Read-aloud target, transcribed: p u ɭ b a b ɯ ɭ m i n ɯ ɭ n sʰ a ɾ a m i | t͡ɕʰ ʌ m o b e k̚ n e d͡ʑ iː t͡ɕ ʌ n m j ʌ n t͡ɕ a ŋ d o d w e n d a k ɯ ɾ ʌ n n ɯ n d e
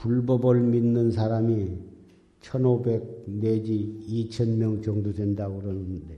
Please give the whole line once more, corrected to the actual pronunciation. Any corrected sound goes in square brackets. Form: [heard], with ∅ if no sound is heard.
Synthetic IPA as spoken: p u ɭ b [ʌ] b ɯ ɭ m i [nː] ɯ [∅] n sʰ a ɾ a m i | t͡ɕʰ ʌ [n] o b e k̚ n e d͡ʑ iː [t͡ɕʰ] ʌ n m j ʌ [ŋ] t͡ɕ [ʌ] ŋ d o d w e n d a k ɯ ɾ ʌ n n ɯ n d e